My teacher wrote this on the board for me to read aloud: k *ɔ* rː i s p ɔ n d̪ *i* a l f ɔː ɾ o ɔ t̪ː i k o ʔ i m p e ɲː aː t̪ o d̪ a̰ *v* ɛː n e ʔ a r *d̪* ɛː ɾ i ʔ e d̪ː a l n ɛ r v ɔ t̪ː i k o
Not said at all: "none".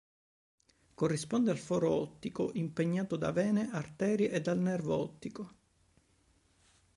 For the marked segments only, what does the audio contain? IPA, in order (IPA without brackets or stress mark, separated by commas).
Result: o, e, v, t̪